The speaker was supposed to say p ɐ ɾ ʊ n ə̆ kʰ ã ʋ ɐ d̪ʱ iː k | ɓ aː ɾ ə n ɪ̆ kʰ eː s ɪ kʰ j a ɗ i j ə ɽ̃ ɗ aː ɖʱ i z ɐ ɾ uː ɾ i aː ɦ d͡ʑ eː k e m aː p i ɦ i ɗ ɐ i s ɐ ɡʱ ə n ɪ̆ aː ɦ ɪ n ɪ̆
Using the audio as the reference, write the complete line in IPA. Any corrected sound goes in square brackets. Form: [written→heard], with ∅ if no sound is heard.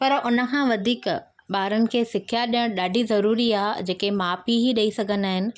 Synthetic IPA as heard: p ɐ ɾ ʊ n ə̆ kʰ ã ʋ ɐ d̪ʱ iː k | ɓ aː ɾ ə n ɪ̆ kʰ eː s ɪ kʰ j a ɗ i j ə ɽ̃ ɗ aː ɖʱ i z ɐ ɾ uː ɾ i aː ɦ d͡ʑ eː k e m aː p i ɦ i ɗ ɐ i s ɐ ɡʱ ə n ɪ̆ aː ɦ ɪ n ɪ̆